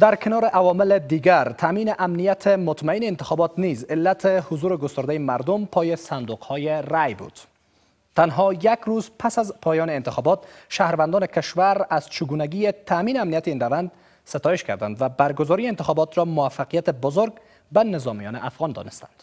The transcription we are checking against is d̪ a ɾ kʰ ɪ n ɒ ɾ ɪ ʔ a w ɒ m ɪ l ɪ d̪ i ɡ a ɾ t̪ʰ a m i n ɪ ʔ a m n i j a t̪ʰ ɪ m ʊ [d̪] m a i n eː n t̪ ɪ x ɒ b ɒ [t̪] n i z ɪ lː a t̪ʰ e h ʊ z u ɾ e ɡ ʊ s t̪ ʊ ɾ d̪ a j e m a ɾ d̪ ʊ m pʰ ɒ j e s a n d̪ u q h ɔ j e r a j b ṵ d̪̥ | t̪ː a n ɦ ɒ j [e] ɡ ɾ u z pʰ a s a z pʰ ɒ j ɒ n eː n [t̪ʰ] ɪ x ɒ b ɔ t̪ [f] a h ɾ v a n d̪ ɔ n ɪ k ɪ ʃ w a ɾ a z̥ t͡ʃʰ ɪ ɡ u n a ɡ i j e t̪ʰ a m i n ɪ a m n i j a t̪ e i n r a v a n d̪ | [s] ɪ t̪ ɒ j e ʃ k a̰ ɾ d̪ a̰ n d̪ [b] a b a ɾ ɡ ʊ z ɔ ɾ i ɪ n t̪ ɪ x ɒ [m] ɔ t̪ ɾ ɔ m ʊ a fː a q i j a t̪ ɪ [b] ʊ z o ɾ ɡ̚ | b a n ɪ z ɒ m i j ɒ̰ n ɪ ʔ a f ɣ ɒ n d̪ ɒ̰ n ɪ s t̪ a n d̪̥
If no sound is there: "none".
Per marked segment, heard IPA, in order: t̪, t̪, a, t̪, ʃ, s, v, b, b

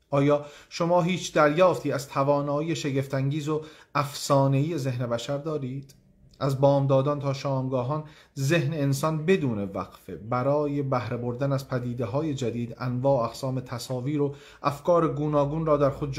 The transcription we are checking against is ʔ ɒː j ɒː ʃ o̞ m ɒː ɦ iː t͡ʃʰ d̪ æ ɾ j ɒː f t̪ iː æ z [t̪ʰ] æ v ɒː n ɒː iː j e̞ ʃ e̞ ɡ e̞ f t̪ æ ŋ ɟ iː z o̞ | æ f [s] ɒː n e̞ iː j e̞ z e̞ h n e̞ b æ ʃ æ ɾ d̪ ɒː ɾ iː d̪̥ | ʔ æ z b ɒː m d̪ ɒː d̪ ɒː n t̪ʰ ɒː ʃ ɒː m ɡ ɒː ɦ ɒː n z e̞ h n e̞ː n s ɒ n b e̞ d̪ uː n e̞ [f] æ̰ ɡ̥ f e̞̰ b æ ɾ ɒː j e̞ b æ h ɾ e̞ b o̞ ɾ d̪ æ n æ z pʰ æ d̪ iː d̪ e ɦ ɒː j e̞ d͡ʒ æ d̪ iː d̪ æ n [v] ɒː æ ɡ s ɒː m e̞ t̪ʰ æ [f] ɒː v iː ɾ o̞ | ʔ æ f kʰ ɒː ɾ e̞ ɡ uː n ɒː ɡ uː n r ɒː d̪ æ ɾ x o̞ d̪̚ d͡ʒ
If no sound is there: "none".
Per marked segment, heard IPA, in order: t̪ʰ, s, v, v, s

